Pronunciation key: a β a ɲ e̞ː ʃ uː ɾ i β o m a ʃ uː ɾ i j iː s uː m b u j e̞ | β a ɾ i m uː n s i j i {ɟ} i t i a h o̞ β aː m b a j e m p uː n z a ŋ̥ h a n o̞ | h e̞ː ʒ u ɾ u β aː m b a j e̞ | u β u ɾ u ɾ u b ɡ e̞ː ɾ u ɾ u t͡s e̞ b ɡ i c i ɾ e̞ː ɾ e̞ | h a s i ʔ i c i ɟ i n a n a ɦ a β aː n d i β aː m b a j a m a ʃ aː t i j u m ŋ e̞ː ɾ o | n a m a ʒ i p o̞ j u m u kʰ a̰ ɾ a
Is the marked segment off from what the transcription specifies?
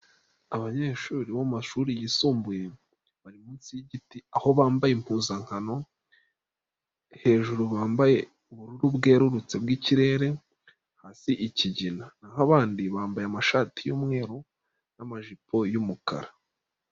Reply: no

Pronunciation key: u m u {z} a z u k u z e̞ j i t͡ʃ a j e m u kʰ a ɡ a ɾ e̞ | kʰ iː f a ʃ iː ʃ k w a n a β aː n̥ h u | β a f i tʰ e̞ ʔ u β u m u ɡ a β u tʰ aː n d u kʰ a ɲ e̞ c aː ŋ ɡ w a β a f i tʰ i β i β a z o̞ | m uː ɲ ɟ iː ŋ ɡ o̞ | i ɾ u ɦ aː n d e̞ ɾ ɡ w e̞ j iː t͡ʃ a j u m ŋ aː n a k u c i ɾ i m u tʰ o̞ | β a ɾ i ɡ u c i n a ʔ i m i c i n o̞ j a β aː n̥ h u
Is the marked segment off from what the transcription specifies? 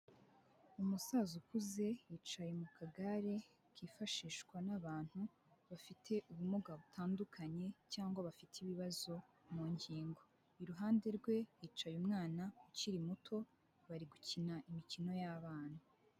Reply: yes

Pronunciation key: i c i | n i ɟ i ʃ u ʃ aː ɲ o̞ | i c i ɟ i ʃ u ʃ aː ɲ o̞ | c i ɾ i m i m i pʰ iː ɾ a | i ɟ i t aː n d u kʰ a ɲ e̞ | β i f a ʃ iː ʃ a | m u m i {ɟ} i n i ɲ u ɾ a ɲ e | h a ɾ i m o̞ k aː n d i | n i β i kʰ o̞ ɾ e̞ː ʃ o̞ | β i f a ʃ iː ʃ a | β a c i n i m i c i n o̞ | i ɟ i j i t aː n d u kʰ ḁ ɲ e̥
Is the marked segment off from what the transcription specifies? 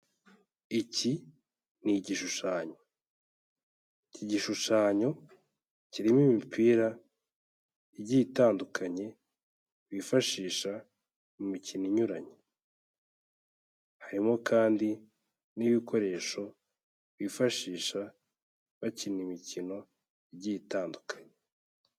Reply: yes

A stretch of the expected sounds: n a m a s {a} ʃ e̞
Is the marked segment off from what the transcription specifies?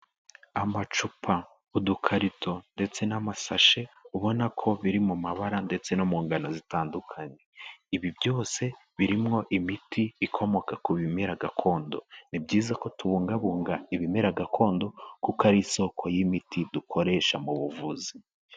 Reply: no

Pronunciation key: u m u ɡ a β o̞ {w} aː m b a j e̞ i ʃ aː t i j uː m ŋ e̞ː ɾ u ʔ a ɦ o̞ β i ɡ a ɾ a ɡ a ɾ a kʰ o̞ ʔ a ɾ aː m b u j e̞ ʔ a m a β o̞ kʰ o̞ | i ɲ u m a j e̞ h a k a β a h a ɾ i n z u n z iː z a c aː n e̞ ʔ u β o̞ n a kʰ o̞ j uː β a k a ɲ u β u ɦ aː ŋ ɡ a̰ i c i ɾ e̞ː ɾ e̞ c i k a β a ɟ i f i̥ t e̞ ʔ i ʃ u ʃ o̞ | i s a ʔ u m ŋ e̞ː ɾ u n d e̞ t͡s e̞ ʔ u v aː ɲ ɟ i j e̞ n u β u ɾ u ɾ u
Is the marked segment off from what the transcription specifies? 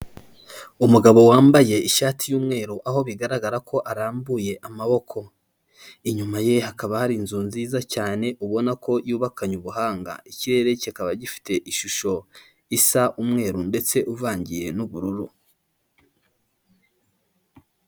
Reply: no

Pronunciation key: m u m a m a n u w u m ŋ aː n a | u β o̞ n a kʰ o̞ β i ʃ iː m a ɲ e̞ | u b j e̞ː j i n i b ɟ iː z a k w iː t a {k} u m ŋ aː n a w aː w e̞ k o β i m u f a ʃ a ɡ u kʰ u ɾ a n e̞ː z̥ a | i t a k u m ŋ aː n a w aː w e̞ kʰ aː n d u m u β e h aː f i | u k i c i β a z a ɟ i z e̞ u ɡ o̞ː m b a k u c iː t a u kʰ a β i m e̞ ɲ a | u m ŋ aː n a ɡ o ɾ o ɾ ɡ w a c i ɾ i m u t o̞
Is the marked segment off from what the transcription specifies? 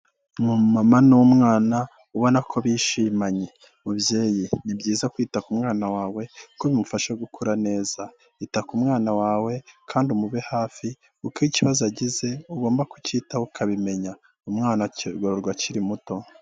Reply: no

